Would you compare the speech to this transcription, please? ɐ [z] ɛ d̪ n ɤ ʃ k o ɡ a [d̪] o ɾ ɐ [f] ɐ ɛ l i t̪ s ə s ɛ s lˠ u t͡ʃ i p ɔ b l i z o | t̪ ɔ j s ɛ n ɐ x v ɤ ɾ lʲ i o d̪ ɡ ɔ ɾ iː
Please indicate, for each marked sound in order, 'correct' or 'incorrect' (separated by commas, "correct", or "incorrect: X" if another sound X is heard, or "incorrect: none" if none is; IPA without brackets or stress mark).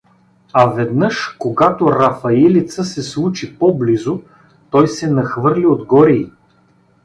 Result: incorrect: v, incorrect: t̪, correct